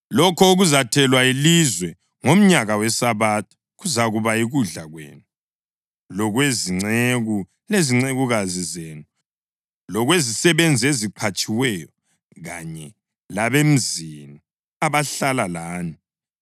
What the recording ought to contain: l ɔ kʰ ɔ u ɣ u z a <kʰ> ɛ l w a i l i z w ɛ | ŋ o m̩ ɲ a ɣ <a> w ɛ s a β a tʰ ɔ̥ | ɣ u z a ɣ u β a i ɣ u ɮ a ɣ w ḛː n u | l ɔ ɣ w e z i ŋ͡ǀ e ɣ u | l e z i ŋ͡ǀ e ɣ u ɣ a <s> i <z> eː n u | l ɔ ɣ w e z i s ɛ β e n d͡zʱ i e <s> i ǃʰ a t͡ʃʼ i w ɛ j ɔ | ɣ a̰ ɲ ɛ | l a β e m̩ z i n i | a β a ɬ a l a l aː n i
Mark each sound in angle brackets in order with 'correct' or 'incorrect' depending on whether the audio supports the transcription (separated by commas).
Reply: incorrect, correct, incorrect, correct, incorrect